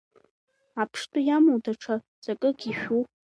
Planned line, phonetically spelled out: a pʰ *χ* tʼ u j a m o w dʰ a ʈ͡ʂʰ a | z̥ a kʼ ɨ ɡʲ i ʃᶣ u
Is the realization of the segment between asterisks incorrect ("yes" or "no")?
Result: yes